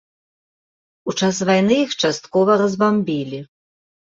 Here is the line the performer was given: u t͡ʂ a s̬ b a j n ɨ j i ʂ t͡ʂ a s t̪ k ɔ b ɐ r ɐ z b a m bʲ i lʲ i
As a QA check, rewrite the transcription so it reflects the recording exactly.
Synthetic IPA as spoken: u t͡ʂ a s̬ v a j n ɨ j i x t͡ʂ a s t̪ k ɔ v ɐ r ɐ z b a m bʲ i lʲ i

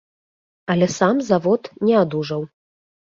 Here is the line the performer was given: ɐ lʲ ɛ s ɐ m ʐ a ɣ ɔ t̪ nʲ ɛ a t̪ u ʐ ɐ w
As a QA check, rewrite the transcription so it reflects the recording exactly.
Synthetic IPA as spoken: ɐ lʲ ɛ s a m z a v ɔ t̪ nʲ ɛ a d̪ u ʐ ɐ w

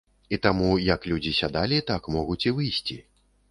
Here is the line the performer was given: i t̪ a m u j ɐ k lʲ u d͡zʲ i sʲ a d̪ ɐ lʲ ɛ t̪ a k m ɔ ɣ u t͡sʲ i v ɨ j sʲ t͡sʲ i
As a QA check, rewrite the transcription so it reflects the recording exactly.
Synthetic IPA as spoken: i t̪ a m u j ɐ k lʲ u d͡zʲ i sʲ a d̪ a lʲ i t̪ a k m ɔ ɣ u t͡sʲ i v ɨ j sʲ t͡sʲ i

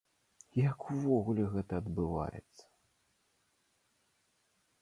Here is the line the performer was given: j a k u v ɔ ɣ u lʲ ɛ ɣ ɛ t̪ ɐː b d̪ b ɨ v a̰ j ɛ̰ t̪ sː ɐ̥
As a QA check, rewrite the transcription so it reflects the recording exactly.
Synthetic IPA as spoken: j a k u v ɔ ɣ u lʲ ɛ ɣ ɛ t̪ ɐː d̪ b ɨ v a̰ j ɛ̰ t̪ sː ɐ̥

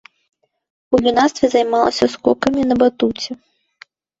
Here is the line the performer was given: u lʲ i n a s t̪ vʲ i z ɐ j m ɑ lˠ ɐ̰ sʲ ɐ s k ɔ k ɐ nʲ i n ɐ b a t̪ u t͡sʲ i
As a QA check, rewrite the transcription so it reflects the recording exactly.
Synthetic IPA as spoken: u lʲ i n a s t̪ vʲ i z ɐ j m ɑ lˠ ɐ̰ sʲ ɐ s k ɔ k ɐ mʲ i n ɐ b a t̪ u t͡sʲ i

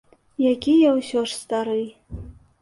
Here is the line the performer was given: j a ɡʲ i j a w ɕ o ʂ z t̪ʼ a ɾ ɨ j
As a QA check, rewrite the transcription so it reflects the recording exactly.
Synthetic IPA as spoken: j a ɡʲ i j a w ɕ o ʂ s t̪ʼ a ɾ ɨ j

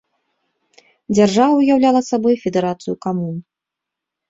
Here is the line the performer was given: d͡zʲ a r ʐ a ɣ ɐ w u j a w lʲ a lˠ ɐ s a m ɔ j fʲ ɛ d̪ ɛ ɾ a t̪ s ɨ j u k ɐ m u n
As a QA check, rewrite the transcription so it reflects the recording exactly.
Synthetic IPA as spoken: d͡zʲ a r ʐ a v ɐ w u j a w lʲ a lˠ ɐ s a b ɔ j fʲ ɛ d̪ ɛ ɾ a t̪ s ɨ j u k a m u n

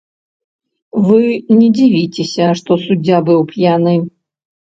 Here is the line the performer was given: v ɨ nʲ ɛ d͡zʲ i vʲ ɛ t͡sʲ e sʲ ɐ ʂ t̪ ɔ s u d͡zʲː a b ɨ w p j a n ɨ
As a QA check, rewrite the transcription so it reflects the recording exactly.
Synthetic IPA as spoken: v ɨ nʲ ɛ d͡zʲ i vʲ i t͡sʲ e sʲ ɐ ʂ t̪ ɔ s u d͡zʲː a b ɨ w p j a n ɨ

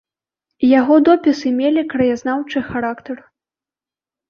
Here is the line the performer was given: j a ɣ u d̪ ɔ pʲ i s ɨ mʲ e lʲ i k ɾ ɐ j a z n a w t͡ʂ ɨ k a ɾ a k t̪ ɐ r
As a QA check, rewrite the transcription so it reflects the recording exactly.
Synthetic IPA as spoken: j a ɣ ɔ d̪ ɔ pʲ i s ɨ mʲ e lʲ i k ɾ ɐ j a z n a w t͡ʂ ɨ x a ɾ a k t̪ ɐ r

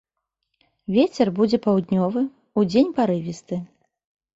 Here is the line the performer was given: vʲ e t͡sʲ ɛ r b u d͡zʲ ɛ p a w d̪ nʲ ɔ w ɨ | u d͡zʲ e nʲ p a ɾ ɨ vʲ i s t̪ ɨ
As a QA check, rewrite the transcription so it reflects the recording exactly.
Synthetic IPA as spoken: vʲ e t͡sʲ ɛ r b u d͡zʲ ɛ p a w d̪ nʲ ɔ v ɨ | u d͡zʲ e nʲ p a ɾ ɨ vʲ i s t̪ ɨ

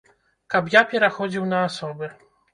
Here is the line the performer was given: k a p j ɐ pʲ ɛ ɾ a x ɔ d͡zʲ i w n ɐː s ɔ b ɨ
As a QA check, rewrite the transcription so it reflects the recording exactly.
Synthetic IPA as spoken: k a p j a pʲ ɛ ɾ a x ɔ d͡zʲ i w n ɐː s ɔ b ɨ

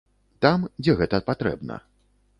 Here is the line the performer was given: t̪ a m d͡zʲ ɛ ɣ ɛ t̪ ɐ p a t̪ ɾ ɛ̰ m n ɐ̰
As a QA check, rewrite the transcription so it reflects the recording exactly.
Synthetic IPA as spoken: t̪ a m d͡zʲ ɛ ɣ ɛ t̪ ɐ p a t̪ ɾ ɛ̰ b n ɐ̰

